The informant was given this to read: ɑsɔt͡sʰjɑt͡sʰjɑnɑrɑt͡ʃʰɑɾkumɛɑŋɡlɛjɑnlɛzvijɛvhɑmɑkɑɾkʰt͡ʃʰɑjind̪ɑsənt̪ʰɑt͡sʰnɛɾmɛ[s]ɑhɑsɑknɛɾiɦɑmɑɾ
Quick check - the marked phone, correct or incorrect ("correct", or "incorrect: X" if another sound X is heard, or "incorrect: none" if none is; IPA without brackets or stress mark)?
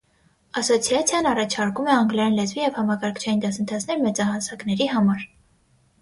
incorrect: t͡s